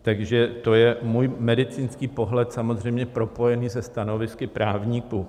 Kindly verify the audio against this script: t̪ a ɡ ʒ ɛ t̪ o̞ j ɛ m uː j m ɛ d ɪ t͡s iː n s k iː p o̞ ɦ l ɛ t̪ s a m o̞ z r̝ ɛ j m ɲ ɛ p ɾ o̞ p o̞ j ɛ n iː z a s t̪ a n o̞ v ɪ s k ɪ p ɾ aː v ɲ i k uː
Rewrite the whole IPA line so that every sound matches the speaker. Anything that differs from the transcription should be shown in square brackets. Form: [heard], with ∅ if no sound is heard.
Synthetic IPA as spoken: t̪ a ɡ ʒ ɛ t̪ o̞ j ɛ m uː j m ɛ d ɪ t͡s iː n s k iː p o̞ ɦ l ɛ t̪ s a m o̞ z r̝ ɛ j m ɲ ɛ p ɾ o̞ p o̞ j ɛ n iː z [ɛ] s t̪ a n o̞ v ɪ s k ɪ p ɾ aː v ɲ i k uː